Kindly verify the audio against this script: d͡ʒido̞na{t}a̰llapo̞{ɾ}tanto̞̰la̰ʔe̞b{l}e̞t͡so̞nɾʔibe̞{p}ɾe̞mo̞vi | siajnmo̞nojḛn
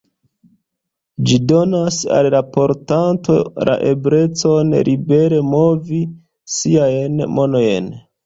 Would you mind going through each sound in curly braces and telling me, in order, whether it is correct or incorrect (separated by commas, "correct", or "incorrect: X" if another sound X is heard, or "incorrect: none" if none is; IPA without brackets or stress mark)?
incorrect: s, correct, incorrect: ɾ, incorrect: none